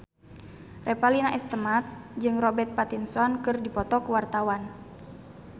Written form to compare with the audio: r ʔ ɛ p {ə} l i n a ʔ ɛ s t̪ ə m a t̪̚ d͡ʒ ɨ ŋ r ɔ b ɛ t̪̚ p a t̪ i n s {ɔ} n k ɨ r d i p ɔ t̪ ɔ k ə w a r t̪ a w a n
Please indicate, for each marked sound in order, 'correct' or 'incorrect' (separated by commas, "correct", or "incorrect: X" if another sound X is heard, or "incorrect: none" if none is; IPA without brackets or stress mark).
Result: incorrect: a, correct